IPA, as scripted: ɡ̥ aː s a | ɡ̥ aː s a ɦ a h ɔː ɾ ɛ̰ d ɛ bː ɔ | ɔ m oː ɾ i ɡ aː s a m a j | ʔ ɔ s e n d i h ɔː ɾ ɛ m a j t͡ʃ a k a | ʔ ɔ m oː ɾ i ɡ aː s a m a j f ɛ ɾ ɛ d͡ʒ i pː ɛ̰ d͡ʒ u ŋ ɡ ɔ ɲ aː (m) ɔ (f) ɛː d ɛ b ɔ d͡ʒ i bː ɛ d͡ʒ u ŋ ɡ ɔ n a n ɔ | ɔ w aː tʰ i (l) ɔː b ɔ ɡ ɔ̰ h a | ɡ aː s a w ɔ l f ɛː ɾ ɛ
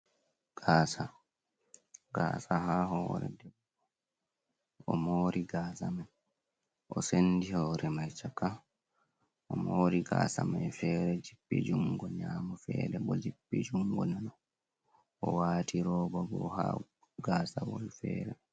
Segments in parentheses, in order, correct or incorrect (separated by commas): correct, correct, incorrect